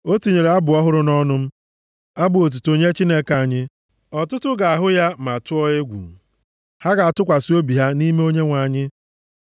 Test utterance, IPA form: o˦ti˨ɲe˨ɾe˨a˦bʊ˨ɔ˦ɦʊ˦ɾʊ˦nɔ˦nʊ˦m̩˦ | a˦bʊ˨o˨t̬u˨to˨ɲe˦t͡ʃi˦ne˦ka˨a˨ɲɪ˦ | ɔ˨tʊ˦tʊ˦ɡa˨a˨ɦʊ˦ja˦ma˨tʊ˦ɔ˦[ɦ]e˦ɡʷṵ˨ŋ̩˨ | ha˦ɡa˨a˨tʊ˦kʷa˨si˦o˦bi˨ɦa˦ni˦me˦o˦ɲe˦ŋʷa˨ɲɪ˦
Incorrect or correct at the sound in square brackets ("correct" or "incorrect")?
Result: incorrect